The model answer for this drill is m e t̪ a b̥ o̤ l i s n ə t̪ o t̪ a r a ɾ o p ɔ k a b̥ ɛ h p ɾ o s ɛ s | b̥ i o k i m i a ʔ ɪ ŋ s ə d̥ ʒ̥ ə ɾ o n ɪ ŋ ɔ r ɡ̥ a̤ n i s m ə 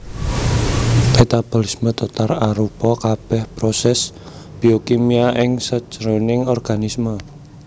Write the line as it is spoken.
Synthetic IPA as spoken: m e t̪ a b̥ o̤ l i s m ə t̪ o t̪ a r a ɾ u p ɔ k a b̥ ɛ h p ɾ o s ɛ s | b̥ i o k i m i a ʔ ɪ ŋ s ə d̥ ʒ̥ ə ɾ o n ɪ ŋ ɔ r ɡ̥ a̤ n i s m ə